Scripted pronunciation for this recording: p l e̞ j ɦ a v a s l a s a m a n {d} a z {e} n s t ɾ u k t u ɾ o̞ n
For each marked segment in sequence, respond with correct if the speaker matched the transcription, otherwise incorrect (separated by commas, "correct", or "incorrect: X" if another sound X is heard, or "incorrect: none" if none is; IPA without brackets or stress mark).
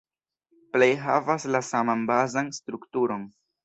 incorrect: b, incorrect: a